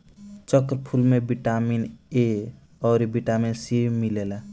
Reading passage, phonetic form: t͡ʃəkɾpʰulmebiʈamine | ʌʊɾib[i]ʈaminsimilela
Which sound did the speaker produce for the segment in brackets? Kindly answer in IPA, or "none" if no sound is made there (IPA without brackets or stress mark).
i